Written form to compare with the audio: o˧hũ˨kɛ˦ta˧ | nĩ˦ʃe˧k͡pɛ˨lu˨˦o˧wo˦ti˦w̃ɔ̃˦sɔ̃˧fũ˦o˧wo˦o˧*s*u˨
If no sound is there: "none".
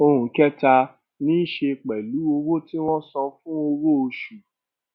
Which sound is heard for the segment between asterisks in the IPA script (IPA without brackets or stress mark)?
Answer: ʃ